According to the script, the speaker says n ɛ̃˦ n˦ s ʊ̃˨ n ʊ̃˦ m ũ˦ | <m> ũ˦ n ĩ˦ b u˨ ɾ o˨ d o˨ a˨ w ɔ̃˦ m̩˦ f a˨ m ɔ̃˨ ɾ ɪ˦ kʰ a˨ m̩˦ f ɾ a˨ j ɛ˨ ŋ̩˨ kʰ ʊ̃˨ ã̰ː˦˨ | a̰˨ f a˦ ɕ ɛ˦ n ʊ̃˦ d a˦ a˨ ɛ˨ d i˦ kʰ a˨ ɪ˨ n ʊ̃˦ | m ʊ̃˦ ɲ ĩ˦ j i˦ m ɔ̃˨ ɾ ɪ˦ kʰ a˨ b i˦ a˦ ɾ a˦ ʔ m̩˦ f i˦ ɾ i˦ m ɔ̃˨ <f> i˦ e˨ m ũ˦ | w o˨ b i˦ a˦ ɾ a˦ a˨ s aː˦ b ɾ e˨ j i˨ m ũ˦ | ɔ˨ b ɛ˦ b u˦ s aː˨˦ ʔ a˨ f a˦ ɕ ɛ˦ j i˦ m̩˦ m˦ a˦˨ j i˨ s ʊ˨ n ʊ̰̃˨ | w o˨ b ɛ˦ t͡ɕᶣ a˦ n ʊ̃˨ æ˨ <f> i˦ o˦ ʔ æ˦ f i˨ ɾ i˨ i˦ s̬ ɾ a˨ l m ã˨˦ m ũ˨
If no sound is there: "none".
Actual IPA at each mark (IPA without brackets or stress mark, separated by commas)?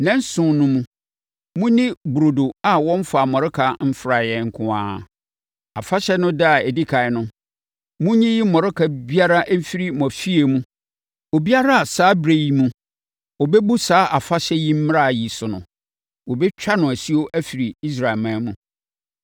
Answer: m, f, s